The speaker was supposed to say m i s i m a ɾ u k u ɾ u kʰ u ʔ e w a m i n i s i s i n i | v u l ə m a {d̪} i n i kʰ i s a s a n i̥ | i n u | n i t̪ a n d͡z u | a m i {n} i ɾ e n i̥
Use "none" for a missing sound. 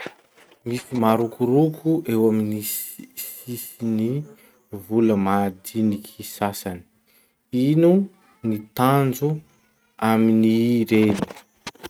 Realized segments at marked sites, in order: d̪, n

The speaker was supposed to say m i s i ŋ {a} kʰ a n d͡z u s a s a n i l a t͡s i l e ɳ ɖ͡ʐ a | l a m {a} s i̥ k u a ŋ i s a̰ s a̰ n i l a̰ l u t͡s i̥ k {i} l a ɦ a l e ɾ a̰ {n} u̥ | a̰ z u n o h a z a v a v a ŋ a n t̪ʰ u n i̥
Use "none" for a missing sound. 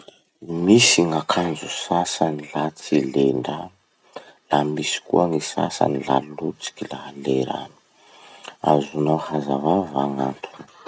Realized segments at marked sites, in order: a, i, i, n

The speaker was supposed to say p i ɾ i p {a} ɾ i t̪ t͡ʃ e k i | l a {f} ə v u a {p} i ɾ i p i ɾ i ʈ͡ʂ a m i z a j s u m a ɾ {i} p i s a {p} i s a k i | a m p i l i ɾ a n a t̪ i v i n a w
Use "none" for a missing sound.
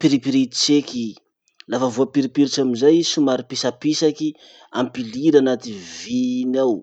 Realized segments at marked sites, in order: i, f, p, i, p

